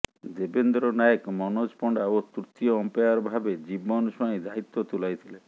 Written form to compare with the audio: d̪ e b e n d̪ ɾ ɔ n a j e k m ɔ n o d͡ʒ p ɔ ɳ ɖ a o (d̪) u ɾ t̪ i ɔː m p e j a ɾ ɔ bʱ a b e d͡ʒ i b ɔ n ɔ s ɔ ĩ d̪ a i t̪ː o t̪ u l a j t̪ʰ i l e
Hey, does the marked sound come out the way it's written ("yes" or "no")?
no